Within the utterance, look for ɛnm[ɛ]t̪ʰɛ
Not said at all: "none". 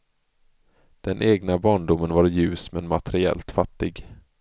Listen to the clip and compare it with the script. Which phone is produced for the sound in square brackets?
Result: a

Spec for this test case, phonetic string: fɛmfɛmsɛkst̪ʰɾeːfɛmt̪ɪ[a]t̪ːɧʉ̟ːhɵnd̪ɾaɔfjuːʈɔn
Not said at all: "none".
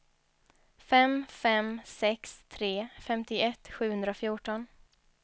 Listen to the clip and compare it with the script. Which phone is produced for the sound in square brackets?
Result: ɛ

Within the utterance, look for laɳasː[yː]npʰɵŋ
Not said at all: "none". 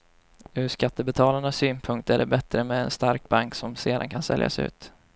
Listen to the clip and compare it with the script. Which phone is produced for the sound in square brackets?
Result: yː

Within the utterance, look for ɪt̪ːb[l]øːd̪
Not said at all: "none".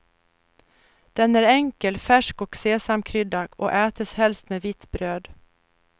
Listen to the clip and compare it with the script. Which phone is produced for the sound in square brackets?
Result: ɾ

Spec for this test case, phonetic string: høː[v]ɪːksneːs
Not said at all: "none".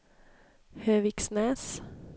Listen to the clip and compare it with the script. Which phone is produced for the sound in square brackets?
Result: ʋ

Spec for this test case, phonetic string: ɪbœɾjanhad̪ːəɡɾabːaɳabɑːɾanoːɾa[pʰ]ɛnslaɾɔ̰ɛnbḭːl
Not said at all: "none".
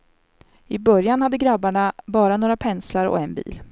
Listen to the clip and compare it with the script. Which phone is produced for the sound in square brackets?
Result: pʰ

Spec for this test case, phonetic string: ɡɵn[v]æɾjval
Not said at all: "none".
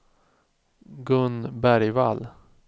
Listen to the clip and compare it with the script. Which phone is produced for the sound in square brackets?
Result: b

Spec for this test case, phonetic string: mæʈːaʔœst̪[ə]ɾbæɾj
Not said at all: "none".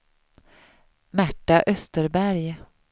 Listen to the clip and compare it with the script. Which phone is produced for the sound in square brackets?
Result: ə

